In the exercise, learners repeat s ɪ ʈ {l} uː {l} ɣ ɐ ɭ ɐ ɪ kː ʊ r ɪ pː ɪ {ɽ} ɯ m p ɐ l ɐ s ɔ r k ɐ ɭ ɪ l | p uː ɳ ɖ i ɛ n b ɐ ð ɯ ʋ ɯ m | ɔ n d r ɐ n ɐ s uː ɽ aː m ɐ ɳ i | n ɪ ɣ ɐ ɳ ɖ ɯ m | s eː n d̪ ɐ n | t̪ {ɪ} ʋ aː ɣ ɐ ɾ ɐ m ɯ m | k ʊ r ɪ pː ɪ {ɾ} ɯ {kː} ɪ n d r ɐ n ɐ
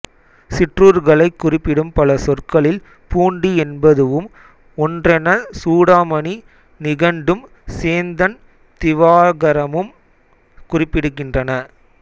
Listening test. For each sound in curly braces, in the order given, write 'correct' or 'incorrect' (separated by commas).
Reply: incorrect, incorrect, correct, correct, incorrect, correct